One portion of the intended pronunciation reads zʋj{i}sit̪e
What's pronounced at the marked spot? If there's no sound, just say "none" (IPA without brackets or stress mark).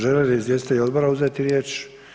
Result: e